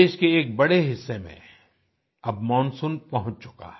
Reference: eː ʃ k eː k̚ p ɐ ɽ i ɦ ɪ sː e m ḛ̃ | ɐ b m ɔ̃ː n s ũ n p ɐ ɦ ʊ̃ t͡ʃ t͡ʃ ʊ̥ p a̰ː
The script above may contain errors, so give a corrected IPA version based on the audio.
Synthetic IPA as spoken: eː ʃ k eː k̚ b ɐ ɽ e ɦ ɪ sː e m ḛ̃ | ɐ b m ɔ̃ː n s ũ n p ɐ ɦ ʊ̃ t͡ʃ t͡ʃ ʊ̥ k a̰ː